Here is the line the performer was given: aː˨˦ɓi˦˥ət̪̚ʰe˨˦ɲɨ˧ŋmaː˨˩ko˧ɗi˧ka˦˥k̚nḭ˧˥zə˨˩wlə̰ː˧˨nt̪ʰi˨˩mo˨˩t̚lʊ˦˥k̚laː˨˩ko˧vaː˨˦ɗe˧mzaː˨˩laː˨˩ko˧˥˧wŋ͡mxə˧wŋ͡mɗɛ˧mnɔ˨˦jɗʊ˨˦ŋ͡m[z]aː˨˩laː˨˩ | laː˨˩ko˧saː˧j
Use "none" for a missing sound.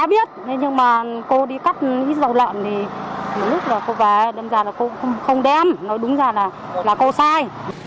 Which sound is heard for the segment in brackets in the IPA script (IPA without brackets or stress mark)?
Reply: z